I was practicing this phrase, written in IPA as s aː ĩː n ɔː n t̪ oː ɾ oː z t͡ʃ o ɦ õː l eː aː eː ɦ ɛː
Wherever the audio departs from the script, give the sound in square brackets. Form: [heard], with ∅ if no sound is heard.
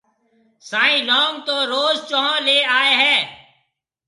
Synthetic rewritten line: s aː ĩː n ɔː [m] t̪ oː ɾ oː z t͡ʃ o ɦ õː l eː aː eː ɦ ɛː